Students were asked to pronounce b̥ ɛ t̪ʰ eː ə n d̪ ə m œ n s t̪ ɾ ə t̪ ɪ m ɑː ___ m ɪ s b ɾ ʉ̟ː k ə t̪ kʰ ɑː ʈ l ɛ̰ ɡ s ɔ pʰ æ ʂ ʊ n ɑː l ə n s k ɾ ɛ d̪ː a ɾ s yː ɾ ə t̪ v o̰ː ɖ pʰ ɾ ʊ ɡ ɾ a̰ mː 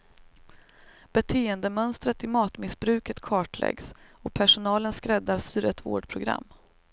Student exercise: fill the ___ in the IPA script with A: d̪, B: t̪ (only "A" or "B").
B